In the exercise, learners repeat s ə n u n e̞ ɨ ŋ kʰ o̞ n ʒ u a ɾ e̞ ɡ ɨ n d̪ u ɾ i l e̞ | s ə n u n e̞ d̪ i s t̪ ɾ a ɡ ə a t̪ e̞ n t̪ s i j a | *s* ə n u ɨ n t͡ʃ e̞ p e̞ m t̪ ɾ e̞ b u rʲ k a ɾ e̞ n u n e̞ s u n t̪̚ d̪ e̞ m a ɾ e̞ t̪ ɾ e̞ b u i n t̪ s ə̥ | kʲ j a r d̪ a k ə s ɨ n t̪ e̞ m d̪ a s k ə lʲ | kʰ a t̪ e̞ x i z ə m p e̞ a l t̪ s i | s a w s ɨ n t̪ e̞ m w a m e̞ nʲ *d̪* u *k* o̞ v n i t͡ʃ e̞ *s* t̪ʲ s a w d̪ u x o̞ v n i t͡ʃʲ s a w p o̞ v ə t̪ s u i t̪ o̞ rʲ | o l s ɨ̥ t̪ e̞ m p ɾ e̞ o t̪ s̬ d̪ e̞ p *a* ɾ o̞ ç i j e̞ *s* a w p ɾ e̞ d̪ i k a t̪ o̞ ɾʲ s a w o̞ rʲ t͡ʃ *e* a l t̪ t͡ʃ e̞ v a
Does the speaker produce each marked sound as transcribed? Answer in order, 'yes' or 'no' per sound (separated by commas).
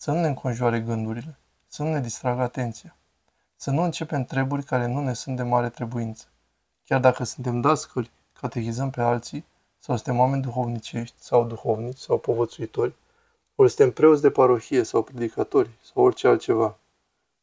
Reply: yes, yes, no, no, yes, yes, yes